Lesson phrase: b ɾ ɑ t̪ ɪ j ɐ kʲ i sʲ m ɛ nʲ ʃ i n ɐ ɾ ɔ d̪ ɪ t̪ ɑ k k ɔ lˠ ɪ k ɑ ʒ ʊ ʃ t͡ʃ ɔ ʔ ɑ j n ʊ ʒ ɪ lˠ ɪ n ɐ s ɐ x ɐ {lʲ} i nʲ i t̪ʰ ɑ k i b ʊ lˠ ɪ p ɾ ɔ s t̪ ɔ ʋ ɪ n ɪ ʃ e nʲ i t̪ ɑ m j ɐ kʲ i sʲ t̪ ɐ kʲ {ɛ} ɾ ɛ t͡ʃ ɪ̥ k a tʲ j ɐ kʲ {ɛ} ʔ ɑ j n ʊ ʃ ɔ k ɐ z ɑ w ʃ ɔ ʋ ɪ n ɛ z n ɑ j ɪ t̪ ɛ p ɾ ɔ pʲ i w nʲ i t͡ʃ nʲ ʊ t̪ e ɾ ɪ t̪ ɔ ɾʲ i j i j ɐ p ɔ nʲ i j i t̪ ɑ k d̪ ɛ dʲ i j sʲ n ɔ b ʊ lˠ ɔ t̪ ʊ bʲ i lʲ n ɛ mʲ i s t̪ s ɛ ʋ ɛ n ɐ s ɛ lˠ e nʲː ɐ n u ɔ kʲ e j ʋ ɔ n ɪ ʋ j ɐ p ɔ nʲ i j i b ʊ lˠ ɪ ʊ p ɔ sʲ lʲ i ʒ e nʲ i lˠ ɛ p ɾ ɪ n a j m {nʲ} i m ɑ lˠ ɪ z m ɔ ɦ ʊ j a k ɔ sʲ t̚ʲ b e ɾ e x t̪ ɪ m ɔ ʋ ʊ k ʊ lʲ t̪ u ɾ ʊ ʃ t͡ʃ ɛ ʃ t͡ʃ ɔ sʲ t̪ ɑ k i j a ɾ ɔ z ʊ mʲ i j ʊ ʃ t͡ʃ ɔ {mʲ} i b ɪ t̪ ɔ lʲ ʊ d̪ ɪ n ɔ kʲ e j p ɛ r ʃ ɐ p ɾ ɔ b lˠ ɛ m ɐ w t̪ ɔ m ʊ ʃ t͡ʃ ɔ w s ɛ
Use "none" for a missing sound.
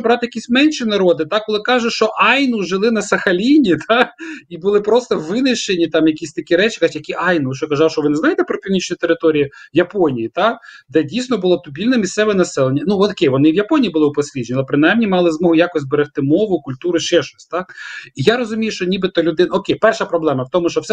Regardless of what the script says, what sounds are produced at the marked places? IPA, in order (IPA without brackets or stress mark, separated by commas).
lʲ, i, i, nʲ, nʲ